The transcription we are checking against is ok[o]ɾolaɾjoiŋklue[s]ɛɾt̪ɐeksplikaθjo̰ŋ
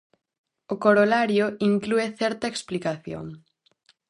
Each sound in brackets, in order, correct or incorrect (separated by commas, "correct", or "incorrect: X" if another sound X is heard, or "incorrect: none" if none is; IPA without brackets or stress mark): correct, incorrect: θ